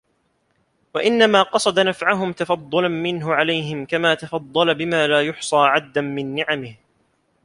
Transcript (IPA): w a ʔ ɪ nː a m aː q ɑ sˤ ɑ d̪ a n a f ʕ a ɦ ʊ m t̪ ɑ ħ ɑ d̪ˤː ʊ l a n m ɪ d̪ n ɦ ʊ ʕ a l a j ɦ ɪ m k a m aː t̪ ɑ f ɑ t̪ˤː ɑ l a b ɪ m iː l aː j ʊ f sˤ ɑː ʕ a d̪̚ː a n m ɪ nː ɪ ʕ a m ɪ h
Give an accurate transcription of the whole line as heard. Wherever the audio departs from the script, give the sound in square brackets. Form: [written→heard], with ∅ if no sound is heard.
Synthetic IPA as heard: w a ʔ ɪ nː a m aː q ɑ sˤ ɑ d̪ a n a f ʕ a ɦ ʊ m t̪ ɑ [ħ→f] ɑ d̪ˤː ʊ l a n m ɪ [d̪→∅] n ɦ ʊ ʕ a l a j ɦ ɪ m k a m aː t̪ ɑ f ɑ [t̪ˤː→d̪ˤː] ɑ l a b ɪ m [iː→aː] l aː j ʊ [f→ħ] sˤ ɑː ʕ a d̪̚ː a n m ɪ nː ɪ ʕ a m ɪ h